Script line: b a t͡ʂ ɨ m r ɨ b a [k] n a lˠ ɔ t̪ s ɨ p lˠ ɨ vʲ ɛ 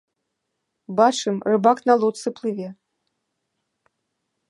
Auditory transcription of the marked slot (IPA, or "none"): k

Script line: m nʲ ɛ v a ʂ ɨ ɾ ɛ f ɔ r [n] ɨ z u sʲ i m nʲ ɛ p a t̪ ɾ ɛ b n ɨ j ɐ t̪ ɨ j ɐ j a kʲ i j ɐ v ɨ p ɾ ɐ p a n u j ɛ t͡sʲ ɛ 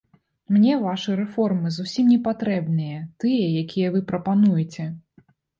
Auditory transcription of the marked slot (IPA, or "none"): m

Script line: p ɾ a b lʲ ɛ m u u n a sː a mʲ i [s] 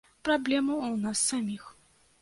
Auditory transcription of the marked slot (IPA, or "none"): x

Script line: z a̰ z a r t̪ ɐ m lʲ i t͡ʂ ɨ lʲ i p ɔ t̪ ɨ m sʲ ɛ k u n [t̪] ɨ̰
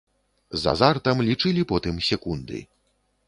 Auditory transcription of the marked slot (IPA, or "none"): d̪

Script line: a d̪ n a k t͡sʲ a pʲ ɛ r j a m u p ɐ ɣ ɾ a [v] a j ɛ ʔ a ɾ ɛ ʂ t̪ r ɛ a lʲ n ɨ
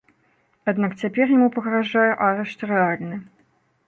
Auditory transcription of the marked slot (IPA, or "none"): ʐ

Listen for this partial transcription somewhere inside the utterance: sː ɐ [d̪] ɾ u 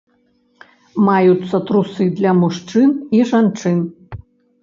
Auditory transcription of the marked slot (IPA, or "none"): t̪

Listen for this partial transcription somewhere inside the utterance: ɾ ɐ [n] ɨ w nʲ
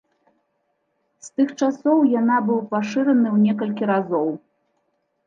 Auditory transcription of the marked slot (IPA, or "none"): n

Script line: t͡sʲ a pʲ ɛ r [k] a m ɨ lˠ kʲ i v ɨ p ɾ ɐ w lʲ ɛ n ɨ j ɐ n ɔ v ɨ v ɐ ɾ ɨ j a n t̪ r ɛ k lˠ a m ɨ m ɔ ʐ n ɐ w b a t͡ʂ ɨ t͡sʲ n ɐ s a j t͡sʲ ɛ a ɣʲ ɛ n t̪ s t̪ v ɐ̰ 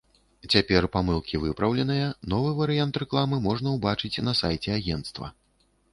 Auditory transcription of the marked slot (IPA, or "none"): p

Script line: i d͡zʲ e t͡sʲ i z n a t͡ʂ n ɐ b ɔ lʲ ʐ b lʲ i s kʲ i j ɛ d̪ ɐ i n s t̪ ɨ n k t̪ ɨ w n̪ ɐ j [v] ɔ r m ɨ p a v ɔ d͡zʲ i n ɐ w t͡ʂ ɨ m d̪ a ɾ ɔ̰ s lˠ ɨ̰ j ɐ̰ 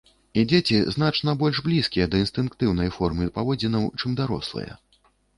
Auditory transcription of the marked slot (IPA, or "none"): f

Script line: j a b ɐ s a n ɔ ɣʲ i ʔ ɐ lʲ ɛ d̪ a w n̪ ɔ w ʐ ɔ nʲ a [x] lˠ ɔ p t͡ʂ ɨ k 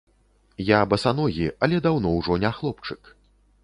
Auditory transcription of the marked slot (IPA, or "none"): x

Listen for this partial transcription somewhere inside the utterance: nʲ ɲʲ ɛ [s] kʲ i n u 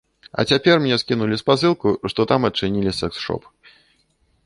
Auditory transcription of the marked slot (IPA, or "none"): s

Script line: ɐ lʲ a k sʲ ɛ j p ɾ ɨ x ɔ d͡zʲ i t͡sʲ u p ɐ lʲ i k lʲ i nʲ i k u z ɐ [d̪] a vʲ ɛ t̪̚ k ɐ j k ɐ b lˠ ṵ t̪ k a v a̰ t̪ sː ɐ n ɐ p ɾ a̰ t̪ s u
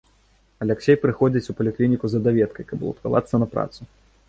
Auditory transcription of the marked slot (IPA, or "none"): d̪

